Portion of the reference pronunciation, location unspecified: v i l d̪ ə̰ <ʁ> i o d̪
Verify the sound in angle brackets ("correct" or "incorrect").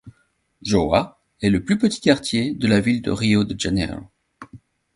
correct